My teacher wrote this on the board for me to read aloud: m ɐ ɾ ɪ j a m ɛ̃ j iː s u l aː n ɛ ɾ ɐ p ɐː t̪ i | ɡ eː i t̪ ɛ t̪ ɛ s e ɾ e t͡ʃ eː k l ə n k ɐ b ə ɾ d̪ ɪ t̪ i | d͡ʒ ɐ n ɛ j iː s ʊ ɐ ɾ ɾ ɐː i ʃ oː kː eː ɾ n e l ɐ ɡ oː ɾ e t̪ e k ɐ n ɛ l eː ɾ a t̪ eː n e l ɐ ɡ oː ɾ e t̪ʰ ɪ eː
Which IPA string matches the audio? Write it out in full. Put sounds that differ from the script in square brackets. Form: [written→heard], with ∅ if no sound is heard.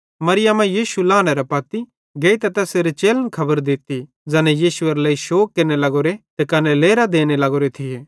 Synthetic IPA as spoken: m ɐ ɾ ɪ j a m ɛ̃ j iː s u l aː n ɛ ɾ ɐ p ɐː t̪ i | ɡ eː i t̪ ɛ t̪ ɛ s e ɾ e t͡ʃ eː [k→∅] l ə n [k→kʰ] ɐ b ə ɾ d̪ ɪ t̪ i | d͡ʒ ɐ n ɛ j iː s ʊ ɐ ɾ [ɾ→l] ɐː i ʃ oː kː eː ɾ n e l ɐ ɡ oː ɾ e t̪ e k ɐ n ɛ l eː ɾ a [t̪→d̪] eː n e l ɐ ɡ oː ɾ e t̪ʰ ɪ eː